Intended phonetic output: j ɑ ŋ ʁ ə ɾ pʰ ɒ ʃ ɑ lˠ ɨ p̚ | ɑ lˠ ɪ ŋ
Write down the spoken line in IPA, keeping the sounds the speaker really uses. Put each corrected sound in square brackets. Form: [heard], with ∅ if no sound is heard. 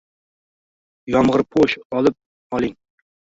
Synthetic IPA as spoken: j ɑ [m] ʁ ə ɾ pʰ [o] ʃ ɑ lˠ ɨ p̚ | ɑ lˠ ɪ ŋ